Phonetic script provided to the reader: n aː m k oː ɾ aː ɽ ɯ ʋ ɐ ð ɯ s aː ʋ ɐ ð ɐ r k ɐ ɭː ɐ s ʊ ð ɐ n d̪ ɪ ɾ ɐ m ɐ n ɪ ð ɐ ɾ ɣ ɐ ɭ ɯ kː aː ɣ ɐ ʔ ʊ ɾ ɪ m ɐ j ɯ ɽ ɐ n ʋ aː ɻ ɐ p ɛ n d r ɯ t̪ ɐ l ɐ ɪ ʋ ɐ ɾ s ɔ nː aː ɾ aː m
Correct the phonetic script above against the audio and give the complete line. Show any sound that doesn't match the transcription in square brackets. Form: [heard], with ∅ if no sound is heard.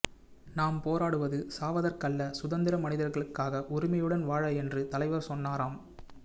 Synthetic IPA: n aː m [p] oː ɾ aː ɽ ɯ ʋ ɐ ð ɯ s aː ʋ ɐ ð ɐ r k ɐ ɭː ɐ s ʊ ð ɐ n d̪ ɪ ɾ ɐ m ɐ n ɪ ð ɐ ɾ ɣ ɐ ɭ ɯ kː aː ɣ ɐ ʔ ʊ ɾ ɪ m ɐ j ɯ ɽ ɐ n ʋ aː ɻ ɐ [∅] ɛ n d r ɯ t̪ ɐ l ɐ ɪ ʋ ɐ ɾ s ɔ nː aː ɾ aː m